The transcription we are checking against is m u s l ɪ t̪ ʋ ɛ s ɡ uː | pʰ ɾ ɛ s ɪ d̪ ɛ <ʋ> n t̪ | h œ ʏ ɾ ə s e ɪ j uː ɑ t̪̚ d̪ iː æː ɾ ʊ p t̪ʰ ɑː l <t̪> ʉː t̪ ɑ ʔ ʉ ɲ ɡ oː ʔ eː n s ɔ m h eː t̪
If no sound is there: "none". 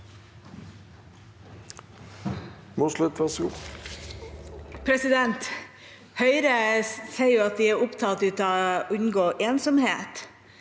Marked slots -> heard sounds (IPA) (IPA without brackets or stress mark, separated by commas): none, t̪